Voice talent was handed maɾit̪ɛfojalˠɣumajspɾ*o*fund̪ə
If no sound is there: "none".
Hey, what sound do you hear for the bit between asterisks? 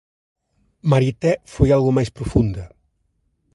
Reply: u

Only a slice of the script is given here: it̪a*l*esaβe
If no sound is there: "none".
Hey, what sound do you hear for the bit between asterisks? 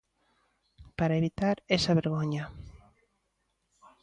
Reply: ɾ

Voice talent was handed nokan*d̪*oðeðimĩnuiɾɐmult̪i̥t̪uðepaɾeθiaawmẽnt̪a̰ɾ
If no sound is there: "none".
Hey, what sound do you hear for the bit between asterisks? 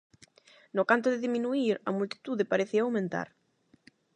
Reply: t̪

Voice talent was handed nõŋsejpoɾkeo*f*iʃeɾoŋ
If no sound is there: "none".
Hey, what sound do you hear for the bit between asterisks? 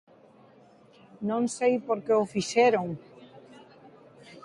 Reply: f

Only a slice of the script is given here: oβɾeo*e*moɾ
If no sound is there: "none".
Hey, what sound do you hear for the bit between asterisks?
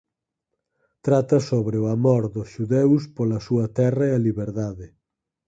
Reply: a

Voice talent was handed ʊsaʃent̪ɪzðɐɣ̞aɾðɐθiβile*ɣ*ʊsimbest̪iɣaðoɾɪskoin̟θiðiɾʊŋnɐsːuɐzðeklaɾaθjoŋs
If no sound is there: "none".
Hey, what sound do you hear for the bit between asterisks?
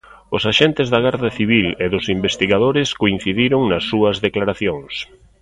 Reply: ð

